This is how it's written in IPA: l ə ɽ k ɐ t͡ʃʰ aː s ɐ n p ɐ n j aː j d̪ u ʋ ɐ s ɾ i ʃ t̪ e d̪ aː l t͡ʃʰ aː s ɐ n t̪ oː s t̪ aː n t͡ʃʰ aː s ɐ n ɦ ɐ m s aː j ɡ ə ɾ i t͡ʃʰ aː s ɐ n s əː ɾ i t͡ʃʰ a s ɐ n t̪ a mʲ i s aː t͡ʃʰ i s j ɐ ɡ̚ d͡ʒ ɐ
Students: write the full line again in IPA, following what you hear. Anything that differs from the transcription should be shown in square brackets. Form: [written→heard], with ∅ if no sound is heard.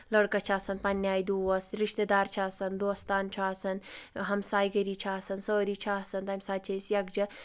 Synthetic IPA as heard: l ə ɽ k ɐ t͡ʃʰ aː s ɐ n p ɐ n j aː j d̪ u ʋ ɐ s ɾ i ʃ t̪ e d̪ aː [l→ɾ] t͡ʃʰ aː s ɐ n [t̪→d̪] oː s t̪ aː n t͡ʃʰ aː s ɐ n ɦ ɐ m s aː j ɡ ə ɾ i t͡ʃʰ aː s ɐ n s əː ɾ i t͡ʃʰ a s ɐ n t̪ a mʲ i s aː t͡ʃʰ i s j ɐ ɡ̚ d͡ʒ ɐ

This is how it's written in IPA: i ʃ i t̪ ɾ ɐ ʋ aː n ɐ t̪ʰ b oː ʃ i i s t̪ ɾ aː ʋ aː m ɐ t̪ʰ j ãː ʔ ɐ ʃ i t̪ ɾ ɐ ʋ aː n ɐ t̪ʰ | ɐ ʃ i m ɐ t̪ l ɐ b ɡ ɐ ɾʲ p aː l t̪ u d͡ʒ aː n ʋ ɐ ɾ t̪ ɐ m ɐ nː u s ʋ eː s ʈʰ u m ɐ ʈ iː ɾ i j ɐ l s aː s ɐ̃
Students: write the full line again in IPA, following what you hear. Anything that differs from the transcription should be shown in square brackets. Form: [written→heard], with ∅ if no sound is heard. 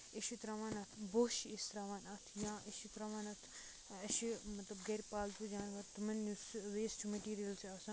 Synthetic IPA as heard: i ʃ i t̪ ɾ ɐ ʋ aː n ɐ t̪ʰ b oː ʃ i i s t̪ ɾ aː ʋ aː [m→n] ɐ t̪ʰ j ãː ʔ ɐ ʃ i t̪ ɾ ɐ ʋ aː n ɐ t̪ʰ | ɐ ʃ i m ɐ t̪ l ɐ b ɡ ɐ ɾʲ p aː l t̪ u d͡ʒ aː n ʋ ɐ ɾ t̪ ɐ m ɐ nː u s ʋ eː s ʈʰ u m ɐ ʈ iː ɾ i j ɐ l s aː s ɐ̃

